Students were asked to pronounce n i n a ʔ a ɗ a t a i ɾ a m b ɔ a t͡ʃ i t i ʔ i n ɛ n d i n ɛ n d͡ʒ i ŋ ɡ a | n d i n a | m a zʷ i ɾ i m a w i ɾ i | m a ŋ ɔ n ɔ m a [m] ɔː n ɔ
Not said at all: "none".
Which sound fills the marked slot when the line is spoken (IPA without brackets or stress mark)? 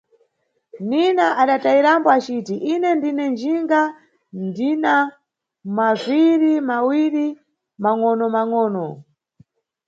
ŋ